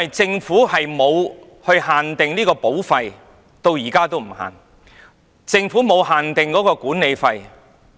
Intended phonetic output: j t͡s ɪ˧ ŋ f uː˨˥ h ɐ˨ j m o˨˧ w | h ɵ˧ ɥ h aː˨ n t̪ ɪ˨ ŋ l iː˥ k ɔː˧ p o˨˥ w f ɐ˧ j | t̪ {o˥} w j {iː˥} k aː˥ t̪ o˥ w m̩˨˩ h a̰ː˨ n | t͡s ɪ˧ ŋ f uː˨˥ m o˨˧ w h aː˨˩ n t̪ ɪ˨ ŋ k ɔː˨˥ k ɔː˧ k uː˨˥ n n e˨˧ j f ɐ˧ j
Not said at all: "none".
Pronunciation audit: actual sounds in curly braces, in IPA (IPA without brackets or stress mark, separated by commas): o˧, iː˨˩